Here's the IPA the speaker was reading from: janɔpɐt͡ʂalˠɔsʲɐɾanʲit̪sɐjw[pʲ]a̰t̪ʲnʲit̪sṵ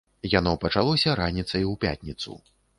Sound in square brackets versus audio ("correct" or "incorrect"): correct